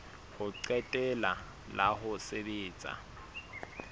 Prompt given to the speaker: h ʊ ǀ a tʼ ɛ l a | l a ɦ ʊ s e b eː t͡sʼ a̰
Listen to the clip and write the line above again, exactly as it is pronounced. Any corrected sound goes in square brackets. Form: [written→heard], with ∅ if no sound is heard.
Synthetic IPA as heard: h ʊ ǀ [a→ɛ] tʼ ɛ l a | l a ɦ ʊ s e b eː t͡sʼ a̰